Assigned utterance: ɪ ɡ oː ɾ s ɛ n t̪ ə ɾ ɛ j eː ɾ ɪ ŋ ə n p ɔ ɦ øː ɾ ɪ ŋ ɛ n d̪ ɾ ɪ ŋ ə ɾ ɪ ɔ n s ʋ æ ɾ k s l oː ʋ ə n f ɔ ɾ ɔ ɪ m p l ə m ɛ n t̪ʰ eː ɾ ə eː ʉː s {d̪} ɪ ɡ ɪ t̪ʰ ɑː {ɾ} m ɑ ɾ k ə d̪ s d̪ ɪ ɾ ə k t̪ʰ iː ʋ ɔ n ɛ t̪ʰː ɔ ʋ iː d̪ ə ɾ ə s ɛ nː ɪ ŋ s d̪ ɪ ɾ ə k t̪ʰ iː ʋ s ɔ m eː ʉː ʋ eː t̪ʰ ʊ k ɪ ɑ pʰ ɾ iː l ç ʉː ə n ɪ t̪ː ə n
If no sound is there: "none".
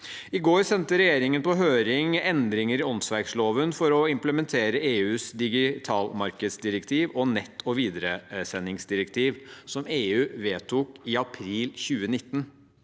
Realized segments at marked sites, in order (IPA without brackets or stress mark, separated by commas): d̪, l